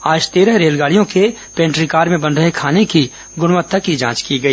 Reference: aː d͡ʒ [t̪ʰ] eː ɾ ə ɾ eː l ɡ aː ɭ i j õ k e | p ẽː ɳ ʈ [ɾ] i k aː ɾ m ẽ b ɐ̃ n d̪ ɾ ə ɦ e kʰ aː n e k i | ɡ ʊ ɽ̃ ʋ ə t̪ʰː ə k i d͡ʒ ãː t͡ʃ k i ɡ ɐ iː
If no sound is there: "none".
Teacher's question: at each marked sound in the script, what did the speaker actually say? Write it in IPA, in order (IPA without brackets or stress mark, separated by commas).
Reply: t̪, ɾ